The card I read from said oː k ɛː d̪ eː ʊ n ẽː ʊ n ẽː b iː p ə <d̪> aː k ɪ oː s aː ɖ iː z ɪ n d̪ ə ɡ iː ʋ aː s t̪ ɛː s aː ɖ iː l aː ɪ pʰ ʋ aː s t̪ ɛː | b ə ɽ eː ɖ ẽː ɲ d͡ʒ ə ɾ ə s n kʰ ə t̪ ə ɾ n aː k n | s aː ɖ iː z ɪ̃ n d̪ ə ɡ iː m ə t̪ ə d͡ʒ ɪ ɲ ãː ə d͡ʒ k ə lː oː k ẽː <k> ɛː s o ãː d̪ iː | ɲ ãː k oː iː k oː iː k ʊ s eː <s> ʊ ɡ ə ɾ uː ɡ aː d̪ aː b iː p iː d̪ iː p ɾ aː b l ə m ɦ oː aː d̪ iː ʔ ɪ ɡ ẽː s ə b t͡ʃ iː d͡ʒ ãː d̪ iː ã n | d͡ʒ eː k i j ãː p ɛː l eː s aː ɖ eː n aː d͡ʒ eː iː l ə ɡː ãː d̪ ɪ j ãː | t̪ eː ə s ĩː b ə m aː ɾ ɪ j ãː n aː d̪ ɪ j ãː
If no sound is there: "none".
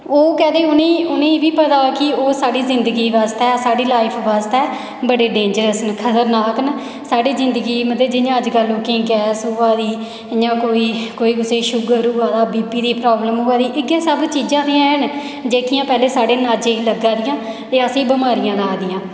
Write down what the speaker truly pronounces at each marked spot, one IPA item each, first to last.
t̪, ɡ, ʃ

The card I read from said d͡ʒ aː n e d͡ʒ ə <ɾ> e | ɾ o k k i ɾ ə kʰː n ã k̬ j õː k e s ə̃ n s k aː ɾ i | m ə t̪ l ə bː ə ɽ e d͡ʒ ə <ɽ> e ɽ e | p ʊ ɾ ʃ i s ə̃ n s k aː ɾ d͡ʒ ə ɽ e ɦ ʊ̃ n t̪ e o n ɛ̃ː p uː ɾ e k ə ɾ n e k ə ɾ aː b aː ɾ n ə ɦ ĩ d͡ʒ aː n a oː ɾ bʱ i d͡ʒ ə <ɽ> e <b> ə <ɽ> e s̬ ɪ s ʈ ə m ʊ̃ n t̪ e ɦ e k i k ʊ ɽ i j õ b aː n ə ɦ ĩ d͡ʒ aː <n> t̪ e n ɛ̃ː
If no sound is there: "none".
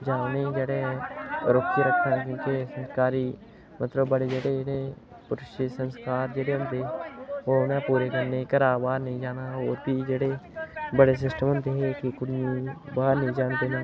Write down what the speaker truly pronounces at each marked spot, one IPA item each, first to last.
ɽ, ɽ, ɽ, b, ɽ, n

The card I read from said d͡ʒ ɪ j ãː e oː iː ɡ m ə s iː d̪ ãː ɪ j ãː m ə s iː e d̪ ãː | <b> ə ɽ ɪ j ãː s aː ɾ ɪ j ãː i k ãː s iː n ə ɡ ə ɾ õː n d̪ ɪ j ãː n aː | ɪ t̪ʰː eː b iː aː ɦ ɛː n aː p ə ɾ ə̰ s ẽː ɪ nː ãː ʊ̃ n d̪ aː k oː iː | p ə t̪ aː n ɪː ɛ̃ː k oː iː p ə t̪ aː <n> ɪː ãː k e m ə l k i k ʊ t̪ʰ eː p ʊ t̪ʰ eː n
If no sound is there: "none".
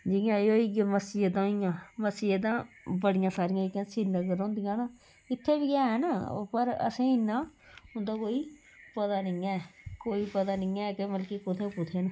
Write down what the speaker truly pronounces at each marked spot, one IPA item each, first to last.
b, n

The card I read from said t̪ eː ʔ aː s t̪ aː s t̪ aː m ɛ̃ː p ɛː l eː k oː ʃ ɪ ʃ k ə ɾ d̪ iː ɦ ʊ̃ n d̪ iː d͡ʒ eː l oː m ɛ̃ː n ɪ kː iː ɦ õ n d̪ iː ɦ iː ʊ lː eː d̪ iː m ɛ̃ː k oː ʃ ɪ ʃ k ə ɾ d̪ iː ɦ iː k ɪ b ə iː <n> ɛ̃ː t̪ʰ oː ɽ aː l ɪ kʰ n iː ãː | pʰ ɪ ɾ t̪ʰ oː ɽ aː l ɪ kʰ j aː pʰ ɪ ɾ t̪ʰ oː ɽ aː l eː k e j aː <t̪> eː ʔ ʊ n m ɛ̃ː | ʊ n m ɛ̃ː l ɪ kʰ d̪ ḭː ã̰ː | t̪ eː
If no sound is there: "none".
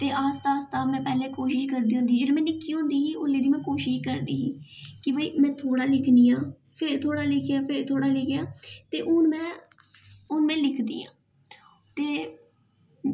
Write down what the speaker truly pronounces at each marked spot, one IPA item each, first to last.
m, t̪

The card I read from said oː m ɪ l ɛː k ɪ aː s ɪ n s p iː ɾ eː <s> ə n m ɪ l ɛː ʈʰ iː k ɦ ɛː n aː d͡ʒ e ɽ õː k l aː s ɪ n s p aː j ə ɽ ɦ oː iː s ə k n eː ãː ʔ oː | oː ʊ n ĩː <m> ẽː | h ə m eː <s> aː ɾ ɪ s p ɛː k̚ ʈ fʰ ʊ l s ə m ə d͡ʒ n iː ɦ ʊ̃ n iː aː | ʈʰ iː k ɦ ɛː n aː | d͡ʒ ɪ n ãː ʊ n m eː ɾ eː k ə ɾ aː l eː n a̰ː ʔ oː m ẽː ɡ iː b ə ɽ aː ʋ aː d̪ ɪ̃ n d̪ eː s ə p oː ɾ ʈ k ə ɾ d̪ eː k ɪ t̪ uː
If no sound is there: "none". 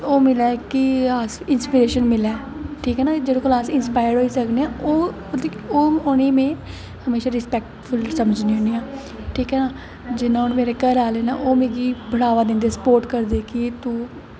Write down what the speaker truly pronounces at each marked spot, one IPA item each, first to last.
ʃ, m, ʃ

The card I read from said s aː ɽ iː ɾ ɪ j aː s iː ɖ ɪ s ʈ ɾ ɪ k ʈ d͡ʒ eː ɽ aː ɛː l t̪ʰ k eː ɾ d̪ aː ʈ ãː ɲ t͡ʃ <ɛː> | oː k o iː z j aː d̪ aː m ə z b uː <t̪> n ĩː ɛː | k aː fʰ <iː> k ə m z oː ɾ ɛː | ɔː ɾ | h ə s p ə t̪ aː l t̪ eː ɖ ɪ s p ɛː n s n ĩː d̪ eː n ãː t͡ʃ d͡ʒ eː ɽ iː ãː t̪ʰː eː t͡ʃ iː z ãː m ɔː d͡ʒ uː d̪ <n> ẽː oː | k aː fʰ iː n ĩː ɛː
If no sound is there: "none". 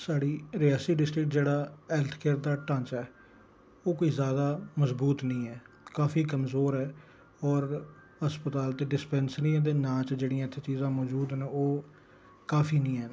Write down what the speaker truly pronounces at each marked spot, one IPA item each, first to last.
ɛː, t̪, iː, n

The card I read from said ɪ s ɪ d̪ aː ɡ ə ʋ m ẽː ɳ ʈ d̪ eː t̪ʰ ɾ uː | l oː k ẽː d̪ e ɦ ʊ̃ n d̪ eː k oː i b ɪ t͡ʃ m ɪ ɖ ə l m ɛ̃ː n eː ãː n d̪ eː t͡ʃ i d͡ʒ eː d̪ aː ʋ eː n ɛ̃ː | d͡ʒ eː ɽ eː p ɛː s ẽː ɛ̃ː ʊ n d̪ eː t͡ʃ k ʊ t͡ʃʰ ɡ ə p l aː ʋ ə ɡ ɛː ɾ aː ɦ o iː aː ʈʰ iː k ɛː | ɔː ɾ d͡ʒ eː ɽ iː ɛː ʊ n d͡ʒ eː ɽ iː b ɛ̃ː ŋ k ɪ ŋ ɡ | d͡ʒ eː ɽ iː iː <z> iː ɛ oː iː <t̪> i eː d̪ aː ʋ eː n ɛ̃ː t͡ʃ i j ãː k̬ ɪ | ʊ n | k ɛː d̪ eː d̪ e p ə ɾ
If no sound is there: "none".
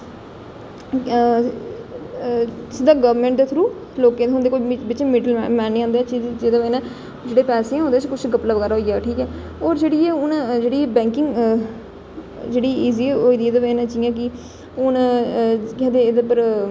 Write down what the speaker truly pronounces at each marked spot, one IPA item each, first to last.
z, d̪

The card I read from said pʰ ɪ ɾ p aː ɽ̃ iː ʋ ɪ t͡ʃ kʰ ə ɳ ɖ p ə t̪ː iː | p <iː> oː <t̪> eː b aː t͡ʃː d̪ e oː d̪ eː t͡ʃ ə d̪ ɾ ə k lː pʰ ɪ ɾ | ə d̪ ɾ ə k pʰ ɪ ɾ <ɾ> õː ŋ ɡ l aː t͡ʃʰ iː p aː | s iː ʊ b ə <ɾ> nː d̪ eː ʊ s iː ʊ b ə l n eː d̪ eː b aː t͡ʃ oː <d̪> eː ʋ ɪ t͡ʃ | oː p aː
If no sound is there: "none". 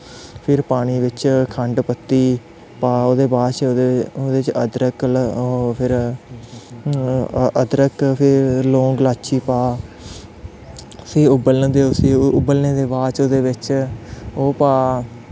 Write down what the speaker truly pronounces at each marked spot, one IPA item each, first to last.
aː, d̪, l, l, d̪

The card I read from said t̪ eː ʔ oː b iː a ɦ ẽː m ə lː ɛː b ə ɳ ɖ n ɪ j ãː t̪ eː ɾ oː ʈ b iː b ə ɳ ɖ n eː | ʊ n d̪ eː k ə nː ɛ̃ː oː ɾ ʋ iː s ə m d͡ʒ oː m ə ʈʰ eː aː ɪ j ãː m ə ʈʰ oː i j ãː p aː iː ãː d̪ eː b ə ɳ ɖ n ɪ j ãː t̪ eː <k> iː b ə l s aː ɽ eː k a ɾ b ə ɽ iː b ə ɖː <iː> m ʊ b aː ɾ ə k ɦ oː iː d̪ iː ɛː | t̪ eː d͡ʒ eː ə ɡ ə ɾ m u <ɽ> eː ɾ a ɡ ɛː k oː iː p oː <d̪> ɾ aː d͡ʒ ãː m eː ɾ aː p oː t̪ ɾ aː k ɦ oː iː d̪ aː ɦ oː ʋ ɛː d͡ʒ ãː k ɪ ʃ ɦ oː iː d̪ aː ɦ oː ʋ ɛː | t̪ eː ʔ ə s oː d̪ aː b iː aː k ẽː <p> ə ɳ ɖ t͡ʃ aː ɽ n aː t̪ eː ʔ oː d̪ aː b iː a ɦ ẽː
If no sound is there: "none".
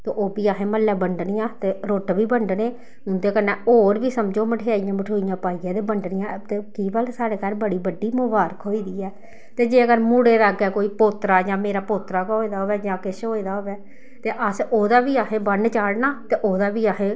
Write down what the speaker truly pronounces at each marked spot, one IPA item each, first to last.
k, iː, ɽ, t̪, b

